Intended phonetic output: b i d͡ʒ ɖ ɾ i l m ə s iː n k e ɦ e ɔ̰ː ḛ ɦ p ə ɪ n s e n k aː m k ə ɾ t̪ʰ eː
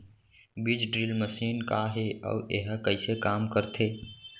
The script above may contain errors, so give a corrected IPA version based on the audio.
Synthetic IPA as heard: b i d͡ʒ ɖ ɾ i l m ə s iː n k a ɦ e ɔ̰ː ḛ ɦ k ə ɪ s e k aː m k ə ɾ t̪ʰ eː